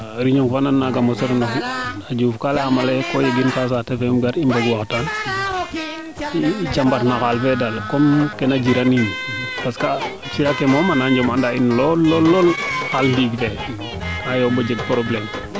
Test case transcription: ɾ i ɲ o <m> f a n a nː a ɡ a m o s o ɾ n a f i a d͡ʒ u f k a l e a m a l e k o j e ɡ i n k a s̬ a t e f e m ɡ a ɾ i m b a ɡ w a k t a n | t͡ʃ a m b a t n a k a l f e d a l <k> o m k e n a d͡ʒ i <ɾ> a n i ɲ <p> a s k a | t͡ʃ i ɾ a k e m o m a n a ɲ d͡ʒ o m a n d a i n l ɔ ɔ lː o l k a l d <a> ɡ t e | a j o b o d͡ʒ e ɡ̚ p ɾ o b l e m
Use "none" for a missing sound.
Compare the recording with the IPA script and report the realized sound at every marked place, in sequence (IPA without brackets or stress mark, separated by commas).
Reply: ŋ, k, ɾ, p, i